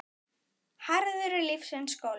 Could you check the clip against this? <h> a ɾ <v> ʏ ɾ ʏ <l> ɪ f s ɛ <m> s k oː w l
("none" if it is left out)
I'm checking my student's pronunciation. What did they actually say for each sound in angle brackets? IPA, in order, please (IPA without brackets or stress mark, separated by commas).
h, ð, l, n